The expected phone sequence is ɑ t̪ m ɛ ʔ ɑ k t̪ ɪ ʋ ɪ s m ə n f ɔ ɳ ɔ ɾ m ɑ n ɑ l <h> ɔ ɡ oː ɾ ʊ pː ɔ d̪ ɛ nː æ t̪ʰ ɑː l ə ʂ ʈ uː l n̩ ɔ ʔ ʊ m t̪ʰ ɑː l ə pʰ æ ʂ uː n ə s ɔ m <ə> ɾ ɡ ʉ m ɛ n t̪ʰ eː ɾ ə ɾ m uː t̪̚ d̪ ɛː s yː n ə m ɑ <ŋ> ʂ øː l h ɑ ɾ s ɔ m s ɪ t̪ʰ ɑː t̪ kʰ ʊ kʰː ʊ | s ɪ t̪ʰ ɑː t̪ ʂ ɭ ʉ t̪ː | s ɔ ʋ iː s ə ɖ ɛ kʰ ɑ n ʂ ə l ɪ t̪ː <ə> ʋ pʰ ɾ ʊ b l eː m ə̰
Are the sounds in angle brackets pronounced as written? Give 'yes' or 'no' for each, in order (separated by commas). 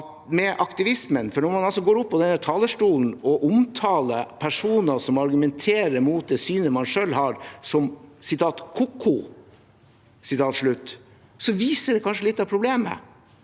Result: no, no, no, no